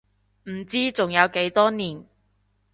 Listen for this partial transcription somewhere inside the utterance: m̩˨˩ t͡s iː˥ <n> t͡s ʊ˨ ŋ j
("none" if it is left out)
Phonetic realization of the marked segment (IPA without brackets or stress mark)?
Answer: none